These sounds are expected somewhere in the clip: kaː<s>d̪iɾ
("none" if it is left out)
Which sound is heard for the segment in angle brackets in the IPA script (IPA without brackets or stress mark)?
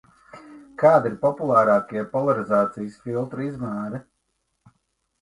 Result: none